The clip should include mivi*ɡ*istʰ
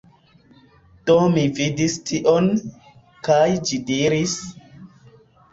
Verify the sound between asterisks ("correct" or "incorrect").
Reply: incorrect